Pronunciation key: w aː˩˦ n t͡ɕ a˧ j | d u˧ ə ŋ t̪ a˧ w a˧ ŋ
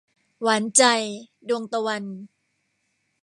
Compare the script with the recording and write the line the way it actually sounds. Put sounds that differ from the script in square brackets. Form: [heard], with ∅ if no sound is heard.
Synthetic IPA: w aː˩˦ n t͡ɕ a˧ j | d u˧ ə ŋ t̪ a˧ w a˧ [n]